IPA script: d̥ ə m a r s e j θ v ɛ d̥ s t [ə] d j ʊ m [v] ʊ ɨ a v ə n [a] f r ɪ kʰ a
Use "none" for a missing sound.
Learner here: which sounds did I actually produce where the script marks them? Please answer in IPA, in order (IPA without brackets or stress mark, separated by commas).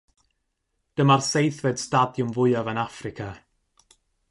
a, v, a